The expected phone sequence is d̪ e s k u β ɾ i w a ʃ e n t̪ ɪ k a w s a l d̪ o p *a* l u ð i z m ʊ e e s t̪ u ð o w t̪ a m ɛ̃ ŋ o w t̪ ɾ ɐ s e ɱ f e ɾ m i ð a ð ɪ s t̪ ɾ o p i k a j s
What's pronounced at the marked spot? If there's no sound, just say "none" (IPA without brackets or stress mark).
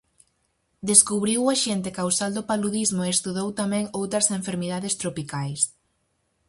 a